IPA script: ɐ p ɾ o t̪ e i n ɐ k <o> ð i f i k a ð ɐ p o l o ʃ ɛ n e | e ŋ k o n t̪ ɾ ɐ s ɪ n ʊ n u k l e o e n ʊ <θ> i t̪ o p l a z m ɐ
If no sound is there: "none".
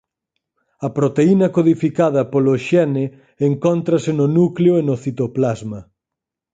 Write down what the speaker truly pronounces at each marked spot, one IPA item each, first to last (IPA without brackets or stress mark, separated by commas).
o, θ